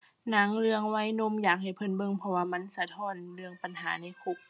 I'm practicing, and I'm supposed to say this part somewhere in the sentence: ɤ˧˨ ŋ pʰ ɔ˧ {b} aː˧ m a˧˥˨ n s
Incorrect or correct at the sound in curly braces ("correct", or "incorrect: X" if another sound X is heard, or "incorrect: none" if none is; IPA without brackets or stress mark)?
incorrect: w